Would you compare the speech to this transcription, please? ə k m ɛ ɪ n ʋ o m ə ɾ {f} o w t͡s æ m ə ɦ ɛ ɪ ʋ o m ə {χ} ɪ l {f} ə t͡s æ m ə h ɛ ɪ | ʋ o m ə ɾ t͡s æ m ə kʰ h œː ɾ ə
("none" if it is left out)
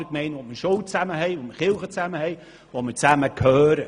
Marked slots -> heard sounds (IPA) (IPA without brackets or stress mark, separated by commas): ʃ, χ, χ